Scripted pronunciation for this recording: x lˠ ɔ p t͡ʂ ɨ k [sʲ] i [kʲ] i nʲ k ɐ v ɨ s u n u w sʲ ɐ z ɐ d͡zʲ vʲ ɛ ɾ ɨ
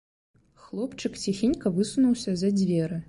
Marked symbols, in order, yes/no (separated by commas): no, no